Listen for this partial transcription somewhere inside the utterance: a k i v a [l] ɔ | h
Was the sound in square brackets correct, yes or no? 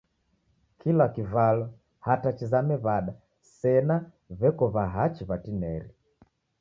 yes